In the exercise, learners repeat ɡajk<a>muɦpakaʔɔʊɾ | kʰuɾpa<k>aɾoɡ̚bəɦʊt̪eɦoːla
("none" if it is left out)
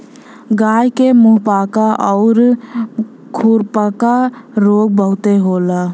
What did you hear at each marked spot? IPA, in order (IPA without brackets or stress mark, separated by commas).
e, k